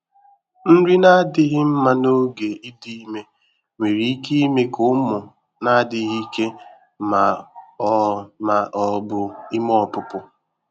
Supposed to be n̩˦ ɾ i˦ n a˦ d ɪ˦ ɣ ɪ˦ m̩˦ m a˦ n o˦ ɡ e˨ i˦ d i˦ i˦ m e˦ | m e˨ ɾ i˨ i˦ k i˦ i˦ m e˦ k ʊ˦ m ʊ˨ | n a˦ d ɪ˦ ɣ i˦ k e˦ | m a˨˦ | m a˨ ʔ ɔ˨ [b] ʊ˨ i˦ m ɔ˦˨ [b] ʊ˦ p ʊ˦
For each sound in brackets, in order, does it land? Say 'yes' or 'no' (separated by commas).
yes, no